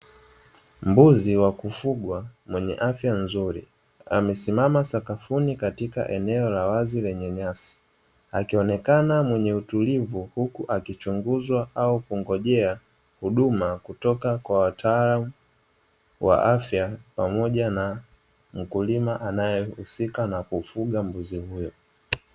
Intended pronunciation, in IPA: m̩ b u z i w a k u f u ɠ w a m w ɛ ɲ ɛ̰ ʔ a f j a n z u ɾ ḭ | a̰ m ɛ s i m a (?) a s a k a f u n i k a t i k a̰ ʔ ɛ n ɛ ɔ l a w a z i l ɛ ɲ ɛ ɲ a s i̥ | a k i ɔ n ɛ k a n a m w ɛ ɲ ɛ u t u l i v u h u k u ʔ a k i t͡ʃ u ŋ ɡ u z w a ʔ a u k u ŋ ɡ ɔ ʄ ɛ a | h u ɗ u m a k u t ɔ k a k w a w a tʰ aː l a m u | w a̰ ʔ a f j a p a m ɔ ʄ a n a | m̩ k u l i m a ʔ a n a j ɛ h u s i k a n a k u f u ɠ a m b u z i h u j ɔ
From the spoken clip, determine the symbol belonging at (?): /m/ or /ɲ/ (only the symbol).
m